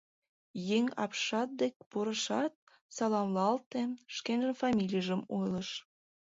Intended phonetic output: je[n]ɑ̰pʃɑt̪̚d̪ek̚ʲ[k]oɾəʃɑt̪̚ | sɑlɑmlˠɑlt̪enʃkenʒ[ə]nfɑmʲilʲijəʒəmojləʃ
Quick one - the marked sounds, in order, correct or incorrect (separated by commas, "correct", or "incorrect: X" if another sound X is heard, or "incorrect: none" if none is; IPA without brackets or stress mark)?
incorrect: ŋ, incorrect: p, correct